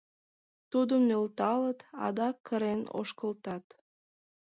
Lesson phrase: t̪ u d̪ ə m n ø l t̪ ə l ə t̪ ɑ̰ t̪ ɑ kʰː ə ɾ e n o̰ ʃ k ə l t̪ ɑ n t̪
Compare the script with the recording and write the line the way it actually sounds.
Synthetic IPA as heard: t̪ u d̪ ə m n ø l t̪ ɑ l ə t̪ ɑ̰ d̪ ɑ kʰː ə ɾ e n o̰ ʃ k ə l t̪ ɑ t̪